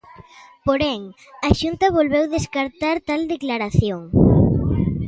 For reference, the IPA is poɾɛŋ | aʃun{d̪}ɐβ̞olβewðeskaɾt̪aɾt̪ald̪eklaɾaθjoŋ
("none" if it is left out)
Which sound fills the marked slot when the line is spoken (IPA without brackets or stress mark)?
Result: t̪